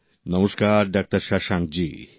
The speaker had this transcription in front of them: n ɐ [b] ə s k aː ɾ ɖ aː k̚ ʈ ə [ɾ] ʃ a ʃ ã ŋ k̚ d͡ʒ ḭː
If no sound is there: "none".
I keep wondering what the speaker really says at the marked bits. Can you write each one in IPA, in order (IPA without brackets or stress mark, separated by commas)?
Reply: m, ɾ